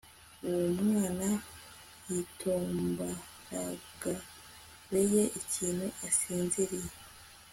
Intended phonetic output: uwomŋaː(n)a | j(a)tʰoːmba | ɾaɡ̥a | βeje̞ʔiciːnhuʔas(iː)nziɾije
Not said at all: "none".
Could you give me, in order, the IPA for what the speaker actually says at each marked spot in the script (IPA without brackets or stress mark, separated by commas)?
n, i, iː